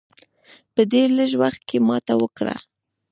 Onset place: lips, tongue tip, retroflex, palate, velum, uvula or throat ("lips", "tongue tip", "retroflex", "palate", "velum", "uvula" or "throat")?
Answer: lips